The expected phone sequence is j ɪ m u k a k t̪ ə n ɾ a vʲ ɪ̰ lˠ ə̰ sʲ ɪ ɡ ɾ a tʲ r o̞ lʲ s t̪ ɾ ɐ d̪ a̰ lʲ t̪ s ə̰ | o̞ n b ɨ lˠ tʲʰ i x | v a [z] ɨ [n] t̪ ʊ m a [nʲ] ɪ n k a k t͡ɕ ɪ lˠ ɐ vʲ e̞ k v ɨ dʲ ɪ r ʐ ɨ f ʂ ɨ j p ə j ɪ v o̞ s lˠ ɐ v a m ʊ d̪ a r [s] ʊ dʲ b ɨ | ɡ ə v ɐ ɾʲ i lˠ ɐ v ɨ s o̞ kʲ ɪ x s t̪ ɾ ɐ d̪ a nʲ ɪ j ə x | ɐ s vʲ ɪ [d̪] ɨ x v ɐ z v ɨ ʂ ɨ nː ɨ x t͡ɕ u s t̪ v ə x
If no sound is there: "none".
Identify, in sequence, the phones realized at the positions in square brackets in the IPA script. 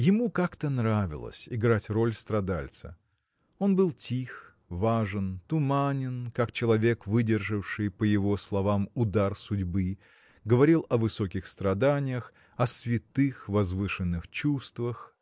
ʐ, n, nʲ, s, t̪

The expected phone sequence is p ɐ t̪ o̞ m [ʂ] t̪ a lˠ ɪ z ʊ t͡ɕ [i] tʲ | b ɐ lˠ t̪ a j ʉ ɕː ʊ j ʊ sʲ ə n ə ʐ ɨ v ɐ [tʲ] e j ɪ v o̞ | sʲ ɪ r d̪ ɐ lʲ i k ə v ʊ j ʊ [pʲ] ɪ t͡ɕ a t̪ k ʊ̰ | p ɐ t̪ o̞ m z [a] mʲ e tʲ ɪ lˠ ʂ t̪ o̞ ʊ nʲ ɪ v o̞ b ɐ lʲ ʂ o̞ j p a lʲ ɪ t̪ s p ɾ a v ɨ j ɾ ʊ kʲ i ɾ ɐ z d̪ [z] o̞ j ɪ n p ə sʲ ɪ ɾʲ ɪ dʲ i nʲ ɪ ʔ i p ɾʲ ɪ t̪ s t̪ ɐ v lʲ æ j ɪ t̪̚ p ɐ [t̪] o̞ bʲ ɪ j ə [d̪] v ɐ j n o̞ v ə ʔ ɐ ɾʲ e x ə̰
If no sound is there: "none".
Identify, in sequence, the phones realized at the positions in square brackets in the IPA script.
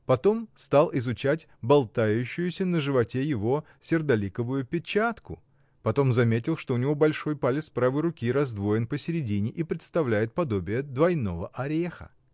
s, æ, tʲ, pʲ, ɐ, v, d̪, d̪

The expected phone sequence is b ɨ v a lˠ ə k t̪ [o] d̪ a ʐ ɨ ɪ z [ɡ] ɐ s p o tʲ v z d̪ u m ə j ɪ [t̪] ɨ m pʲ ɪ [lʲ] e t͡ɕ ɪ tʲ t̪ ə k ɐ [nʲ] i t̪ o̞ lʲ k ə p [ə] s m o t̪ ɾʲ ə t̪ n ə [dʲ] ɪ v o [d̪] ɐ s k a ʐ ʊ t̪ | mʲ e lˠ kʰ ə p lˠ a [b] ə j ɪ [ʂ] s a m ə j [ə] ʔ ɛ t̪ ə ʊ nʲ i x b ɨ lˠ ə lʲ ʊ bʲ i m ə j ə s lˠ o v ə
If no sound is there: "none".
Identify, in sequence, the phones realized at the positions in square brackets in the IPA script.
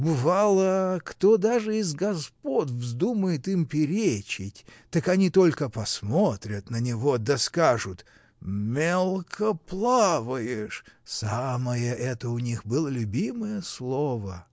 o, ɡ, t̪, ɾʲ, nʲ, ɐ, nʲ, d̪, v, ʂ, ə

